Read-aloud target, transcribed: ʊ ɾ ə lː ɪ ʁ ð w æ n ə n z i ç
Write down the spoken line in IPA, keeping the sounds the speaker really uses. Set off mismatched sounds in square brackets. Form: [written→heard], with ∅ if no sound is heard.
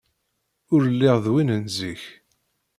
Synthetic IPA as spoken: ʊ ɾ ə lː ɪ ʁ ð w [æ→i] n ə n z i ç